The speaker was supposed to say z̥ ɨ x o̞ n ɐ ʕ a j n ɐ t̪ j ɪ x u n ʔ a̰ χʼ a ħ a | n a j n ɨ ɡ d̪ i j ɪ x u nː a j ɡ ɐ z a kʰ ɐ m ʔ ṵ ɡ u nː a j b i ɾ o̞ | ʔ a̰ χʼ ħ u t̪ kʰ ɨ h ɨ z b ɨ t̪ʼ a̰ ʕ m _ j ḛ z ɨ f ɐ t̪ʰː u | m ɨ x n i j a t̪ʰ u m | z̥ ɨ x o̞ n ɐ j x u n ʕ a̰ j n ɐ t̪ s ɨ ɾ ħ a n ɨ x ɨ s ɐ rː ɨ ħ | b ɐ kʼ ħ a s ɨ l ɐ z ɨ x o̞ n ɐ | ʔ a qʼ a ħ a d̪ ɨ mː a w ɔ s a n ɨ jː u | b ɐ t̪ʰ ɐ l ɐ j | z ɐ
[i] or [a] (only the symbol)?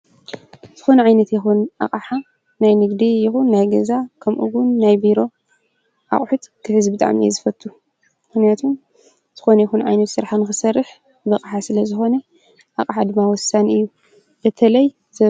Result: i